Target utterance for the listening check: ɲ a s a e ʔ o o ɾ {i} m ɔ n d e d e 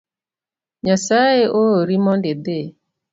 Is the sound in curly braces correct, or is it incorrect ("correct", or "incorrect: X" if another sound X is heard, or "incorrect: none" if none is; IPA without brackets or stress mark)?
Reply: correct